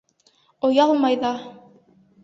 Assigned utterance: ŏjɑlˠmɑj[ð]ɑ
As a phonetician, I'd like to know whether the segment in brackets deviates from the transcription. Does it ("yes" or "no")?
no